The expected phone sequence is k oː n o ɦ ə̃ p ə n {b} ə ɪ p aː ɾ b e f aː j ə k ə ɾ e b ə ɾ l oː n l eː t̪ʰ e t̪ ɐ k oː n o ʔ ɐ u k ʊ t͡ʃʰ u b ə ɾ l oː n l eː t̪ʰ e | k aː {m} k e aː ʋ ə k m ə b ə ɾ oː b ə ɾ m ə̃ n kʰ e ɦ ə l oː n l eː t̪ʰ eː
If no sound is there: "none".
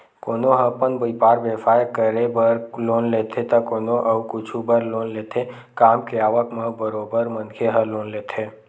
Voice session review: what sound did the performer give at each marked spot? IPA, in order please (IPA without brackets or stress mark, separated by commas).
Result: b, m